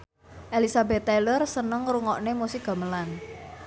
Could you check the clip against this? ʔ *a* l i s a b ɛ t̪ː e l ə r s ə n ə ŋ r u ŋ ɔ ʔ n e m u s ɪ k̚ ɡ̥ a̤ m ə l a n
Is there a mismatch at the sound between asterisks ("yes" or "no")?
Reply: yes